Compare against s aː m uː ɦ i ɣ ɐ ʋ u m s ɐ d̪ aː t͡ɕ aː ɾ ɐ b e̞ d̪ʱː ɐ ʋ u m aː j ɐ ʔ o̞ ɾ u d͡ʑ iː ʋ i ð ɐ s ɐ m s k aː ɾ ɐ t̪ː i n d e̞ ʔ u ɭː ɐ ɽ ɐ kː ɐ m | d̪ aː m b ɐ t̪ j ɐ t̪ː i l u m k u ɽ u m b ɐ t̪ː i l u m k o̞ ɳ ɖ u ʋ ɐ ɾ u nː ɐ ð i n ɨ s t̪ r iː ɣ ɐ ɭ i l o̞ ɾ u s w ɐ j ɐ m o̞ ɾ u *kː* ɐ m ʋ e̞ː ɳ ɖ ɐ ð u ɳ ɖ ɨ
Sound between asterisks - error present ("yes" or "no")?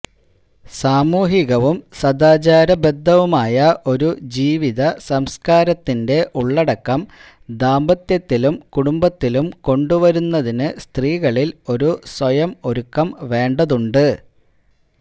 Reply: no